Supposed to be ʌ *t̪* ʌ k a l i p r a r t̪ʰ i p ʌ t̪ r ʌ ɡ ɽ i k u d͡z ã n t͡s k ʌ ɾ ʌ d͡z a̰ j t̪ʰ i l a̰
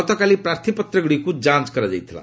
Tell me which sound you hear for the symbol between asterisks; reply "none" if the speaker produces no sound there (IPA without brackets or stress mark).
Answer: t̪